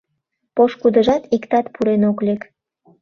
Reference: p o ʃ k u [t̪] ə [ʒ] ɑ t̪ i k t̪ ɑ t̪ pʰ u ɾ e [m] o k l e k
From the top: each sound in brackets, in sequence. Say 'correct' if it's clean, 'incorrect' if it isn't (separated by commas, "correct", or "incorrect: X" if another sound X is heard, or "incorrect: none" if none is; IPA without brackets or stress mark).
incorrect: d̪, correct, incorrect: n